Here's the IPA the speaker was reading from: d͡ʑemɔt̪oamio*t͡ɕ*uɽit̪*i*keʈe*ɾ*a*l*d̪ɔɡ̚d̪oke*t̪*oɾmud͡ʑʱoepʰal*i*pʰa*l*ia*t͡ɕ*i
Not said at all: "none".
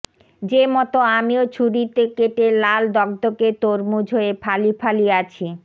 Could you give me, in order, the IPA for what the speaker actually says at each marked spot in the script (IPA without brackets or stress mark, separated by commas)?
t͡ɕʰ, e, l, l, t̪, i, l, t͡ɕʰ